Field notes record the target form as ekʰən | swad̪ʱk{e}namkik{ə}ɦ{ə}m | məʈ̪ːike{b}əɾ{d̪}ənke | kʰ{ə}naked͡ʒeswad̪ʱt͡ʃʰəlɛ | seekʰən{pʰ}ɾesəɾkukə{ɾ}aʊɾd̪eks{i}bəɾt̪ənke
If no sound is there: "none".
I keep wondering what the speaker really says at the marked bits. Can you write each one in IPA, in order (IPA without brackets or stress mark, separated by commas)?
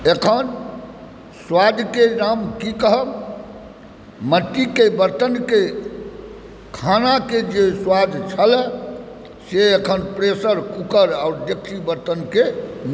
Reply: e, ə, ə, b, t̪, a, p, ɾ, i